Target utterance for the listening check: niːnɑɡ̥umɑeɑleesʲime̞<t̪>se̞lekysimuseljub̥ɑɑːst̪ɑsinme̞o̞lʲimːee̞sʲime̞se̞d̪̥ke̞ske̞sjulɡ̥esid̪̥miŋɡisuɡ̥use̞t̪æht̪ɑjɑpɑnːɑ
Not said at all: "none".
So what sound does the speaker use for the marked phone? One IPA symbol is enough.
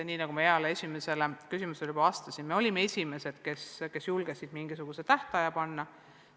none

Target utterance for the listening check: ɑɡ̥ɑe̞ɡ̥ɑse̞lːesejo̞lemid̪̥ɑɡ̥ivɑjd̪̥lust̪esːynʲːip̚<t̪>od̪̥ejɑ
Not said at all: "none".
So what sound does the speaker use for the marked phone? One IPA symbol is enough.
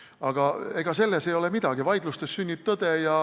t̪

